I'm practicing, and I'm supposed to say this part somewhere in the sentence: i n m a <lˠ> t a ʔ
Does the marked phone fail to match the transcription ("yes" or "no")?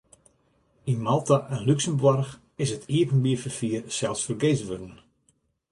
no